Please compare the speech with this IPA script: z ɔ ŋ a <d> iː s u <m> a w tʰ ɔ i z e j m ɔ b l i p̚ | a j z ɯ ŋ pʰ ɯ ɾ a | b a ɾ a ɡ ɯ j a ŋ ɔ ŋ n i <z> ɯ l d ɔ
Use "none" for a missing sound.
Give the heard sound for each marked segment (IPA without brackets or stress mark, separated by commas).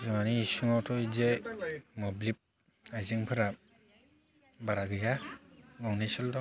n, ŋ, s